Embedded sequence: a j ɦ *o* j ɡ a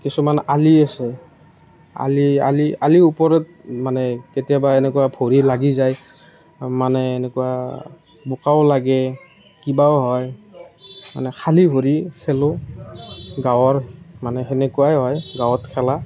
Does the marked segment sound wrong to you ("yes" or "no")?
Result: yes